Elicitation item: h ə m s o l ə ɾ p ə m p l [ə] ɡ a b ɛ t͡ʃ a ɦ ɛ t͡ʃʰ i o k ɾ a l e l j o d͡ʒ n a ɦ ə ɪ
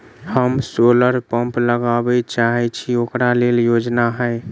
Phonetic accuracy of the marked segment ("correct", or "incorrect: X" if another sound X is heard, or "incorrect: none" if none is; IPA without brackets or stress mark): correct